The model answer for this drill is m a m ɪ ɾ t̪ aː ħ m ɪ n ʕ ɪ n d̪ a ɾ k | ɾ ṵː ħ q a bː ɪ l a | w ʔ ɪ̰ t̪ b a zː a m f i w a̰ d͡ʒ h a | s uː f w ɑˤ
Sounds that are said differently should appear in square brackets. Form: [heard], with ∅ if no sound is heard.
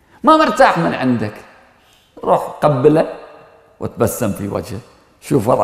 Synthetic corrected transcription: m a m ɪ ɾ t̪ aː ħ m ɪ n ʕ ɪ n d̪ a [∅] k | ɾ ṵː ħ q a bː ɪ l a | w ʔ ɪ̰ t̪ b a [sː] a m f i w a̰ d͡ʒ h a | [ʃ] uː f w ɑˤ